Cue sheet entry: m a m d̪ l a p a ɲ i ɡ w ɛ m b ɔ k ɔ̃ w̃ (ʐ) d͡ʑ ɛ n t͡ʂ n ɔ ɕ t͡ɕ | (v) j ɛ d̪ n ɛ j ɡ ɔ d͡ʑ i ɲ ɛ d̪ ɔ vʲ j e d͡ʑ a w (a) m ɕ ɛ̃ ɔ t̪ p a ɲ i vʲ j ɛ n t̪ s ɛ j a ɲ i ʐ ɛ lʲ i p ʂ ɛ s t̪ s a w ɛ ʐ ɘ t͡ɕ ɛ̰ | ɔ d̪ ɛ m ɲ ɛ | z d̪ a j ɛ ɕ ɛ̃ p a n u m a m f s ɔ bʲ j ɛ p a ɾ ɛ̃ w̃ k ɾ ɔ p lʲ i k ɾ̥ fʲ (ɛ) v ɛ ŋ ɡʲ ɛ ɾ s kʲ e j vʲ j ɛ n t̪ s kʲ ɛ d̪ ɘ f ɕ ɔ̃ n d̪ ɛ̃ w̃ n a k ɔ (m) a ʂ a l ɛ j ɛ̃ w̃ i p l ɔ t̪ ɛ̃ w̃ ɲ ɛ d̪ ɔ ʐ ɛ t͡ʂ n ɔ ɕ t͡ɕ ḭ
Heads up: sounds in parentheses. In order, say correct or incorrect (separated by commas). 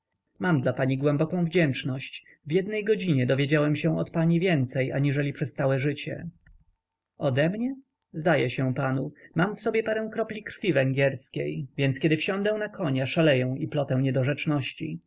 incorrect, correct, incorrect, incorrect, incorrect